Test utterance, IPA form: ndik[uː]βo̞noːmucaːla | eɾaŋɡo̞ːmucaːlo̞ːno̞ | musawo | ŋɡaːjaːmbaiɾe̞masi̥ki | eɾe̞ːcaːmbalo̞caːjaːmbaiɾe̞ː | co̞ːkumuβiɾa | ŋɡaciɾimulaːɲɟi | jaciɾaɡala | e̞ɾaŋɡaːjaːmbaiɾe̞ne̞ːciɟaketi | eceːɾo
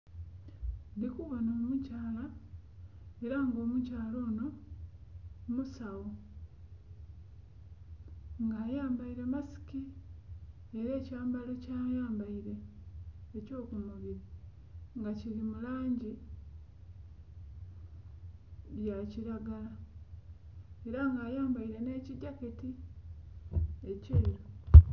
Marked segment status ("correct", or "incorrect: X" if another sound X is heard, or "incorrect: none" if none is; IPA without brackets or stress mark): incorrect: u